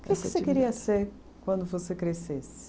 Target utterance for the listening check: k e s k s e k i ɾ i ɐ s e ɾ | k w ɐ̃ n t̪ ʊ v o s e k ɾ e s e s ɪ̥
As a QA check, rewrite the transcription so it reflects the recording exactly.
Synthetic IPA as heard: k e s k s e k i ɾ i ɐ s e ɾ | k w ɐ̃ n d̪ ʊ v o s e k ɾ e s e s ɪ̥